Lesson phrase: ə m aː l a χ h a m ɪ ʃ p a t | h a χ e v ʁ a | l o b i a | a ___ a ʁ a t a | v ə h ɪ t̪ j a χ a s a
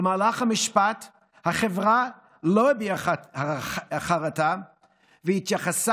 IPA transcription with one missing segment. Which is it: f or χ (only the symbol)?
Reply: χ